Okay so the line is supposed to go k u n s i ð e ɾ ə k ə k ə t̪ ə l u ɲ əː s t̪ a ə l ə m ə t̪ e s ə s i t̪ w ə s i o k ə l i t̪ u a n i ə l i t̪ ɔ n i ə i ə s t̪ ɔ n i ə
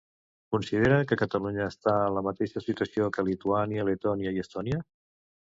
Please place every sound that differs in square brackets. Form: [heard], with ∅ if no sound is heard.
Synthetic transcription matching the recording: k u n s i ð e ɾ ə k ə k ə t̪ ə l u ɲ əː s t̪ a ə l ə m ə t̪ e [ʃ] ə s i t̪ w ə s i o k ə l i t̪ u a n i ə l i t̪ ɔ n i ə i ə s t̪ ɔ n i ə